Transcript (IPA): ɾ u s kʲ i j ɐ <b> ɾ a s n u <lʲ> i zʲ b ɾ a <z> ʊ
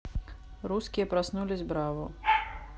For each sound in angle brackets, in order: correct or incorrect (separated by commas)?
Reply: incorrect, correct, incorrect